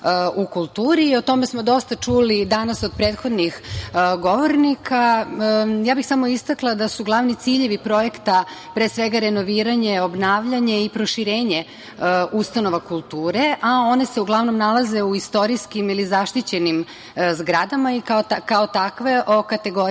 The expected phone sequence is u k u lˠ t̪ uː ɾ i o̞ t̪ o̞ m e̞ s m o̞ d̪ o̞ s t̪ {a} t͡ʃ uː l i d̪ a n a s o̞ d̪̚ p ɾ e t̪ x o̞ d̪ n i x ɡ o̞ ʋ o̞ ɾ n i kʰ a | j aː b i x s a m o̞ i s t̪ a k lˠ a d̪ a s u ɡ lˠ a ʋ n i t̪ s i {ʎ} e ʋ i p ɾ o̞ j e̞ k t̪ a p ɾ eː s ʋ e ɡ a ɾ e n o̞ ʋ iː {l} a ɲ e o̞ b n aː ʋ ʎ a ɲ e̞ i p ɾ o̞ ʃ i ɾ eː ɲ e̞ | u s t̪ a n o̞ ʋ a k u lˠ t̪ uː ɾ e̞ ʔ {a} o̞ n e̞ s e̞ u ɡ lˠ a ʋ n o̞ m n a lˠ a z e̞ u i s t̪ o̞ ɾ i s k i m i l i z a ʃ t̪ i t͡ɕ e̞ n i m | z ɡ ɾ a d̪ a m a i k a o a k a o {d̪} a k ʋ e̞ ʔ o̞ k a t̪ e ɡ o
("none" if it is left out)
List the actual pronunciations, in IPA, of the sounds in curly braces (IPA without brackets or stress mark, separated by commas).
a, ʎ, ɾ, a, t̪